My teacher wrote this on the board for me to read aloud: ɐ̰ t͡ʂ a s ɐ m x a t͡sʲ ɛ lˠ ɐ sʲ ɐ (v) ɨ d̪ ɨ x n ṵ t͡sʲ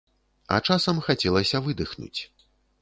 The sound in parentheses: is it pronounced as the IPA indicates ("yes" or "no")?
yes